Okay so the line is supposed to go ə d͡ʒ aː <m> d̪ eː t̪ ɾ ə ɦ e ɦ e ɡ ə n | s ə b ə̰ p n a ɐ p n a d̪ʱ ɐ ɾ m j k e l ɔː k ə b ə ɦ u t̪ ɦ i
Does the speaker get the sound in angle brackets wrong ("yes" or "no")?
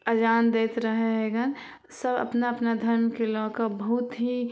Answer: yes